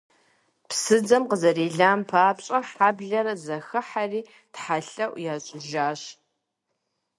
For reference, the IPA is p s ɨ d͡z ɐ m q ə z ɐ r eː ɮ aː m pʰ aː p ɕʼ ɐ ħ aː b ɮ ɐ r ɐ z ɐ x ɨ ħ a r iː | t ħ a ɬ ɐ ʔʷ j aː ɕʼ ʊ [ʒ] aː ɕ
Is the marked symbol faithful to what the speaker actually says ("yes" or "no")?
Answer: yes